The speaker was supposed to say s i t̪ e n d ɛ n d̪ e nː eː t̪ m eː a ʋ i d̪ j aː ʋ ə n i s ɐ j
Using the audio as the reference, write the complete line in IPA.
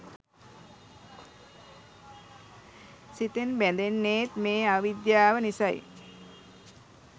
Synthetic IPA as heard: s i t̪ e n b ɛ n d̪ e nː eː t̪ m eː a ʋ i d̪ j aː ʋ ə n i s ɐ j